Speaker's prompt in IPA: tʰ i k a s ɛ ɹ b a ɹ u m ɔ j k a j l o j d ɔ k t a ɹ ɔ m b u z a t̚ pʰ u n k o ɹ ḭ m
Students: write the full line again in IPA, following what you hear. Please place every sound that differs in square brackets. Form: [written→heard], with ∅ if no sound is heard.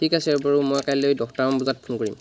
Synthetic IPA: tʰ i k a s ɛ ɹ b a ɹ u m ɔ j k a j l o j d ɔ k t a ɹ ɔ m b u z a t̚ pʰ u n k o ɹ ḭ m